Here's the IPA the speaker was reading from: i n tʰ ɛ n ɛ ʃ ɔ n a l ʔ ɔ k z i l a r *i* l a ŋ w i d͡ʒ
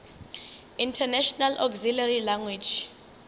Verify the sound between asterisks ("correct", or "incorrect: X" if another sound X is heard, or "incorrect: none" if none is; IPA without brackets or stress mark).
correct